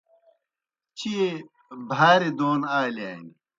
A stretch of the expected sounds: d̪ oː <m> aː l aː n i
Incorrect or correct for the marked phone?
incorrect: n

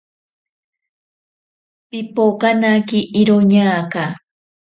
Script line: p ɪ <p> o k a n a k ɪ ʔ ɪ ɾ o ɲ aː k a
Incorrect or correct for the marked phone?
correct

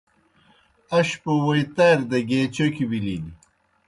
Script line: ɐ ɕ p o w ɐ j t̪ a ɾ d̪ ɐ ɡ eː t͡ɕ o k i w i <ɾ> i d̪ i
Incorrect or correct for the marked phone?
incorrect: l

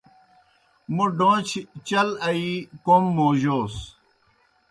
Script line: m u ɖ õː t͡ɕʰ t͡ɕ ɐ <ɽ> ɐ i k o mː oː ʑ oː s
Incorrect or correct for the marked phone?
incorrect: l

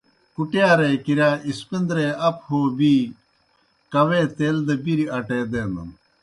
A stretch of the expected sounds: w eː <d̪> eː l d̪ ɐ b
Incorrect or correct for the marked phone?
incorrect: t̪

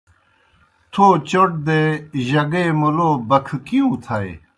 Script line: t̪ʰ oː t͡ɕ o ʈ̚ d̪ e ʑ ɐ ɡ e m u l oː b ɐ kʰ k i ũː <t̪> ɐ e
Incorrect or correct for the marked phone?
incorrect: t̪ʰ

